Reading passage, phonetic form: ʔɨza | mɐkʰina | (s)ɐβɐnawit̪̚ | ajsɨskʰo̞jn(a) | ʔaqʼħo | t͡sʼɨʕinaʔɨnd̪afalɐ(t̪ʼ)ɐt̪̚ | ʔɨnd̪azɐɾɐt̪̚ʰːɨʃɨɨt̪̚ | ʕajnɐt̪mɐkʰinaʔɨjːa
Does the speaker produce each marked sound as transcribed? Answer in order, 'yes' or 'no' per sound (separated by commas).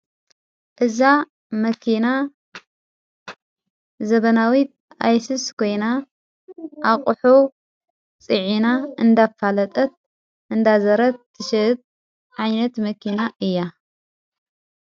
no, yes, yes